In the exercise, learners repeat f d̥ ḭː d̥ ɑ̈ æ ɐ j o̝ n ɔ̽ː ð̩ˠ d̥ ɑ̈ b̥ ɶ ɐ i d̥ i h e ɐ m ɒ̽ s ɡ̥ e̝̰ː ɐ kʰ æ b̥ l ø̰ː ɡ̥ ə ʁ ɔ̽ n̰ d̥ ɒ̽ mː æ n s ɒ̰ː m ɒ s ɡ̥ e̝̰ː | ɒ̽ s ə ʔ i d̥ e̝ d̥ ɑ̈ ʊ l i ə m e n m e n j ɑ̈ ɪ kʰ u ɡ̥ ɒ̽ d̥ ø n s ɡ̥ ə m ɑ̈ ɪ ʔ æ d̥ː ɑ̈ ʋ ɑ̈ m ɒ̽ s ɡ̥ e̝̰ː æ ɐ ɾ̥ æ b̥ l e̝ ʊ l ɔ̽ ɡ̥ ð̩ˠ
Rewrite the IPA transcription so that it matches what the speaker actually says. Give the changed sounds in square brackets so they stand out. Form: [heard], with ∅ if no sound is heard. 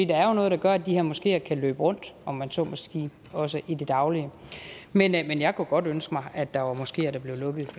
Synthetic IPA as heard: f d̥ ḭː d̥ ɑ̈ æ ɐ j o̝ n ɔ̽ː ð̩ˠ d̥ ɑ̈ [ɡ̥] ɶ ɐ [æ] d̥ i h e ɐ m ɒ̽ s ɡ̥ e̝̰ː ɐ kʰ æ [∅] l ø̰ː [b̥] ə ʁ ɔ̽ n̰ d̥ ɒ̽ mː æ n s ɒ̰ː m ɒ s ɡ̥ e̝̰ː | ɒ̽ s ə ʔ i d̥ e̝ d̥ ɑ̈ ʊ l i ə m e n m e n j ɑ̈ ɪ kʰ u ɡ̥ ɒ̽ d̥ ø n s ɡ̥ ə m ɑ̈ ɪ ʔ æ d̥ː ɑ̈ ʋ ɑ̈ m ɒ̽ s ɡ̥ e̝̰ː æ ɐ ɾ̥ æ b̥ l e̝ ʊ l ɔ̽ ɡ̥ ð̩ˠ